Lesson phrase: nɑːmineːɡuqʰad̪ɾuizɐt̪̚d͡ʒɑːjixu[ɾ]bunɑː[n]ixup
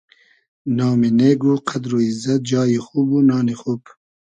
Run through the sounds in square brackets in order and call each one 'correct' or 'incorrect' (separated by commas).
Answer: incorrect, correct